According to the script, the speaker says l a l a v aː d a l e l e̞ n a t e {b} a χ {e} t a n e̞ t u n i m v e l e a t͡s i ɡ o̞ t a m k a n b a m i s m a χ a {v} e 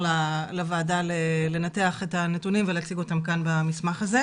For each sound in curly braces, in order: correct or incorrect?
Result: incorrect: none, correct, incorrect: z

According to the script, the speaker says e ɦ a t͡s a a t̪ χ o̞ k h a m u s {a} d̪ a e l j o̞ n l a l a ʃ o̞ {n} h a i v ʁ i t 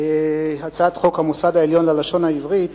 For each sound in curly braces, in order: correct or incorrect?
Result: correct, correct

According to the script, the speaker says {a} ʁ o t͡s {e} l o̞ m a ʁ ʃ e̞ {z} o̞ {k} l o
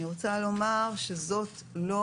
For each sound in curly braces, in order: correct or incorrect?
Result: incorrect: i, incorrect: a, correct, incorrect: t

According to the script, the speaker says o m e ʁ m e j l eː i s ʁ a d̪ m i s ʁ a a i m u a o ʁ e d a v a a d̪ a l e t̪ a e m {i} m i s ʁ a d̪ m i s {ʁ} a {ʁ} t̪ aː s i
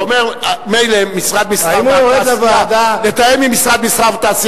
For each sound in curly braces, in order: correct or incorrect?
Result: correct, correct, incorrect: v

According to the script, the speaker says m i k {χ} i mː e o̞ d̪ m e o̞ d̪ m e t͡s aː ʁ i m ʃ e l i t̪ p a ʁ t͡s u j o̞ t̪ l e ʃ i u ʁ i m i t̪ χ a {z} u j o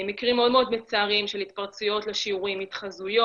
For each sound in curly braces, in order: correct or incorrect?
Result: incorrect: ʁ, correct

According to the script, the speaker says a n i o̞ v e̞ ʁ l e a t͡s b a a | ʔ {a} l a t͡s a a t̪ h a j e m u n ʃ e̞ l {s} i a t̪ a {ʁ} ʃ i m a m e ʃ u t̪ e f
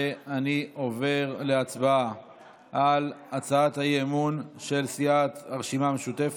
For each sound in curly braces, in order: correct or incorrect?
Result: correct, correct, correct

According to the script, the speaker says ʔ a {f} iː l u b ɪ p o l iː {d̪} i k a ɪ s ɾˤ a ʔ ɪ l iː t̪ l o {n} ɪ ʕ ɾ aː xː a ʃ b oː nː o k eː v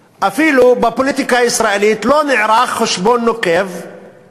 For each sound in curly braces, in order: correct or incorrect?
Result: correct, incorrect: t̪, correct

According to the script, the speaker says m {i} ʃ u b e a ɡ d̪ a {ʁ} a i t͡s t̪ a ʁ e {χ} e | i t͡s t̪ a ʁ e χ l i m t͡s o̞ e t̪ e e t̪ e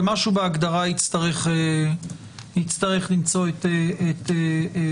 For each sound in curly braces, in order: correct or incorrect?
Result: incorrect: a, correct, correct

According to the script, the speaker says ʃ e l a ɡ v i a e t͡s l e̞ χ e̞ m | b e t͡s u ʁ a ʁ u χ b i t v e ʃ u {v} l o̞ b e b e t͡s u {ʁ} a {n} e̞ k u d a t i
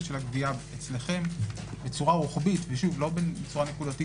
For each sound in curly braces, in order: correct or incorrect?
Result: correct, correct, correct

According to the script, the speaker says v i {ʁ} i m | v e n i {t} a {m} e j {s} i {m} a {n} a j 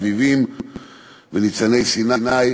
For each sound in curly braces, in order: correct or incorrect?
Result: incorrect: v, incorrect: t͡s, incorrect: n, correct, incorrect: n, correct

